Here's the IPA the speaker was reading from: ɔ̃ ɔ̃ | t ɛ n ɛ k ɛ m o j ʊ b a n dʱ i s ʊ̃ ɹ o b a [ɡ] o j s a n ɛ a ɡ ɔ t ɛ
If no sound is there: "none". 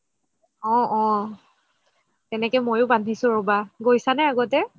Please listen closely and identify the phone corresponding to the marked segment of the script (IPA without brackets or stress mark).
ɡ